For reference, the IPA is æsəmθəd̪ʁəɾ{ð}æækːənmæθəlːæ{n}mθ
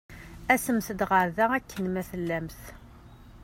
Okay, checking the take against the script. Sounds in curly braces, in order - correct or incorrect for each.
correct, incorrect

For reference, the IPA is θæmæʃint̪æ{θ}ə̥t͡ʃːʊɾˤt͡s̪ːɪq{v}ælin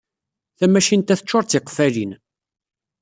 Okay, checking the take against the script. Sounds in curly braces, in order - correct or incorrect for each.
correct, incorrect

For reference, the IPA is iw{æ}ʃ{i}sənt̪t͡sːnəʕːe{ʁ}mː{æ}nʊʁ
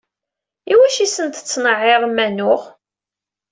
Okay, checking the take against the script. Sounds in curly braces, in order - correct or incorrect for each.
correct, correct, correct, correct

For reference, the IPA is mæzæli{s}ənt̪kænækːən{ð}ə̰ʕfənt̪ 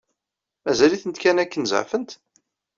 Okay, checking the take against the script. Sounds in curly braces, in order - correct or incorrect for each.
incorrect, incorrect

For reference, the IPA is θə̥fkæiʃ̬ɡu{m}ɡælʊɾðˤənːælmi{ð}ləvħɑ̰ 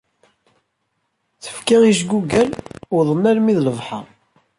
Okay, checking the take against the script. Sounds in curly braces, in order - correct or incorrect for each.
incorrect, correct

